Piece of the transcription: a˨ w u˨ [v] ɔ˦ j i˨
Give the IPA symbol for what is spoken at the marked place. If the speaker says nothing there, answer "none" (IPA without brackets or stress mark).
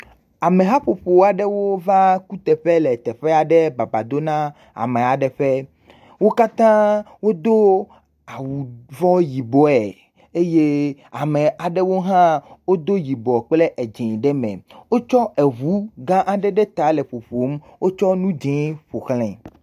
v